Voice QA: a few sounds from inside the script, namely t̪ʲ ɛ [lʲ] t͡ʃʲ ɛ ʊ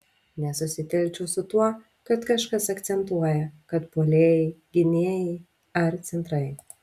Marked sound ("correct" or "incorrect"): correct